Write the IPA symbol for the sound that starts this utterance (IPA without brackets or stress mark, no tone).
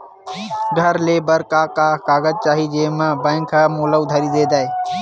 ɡʱ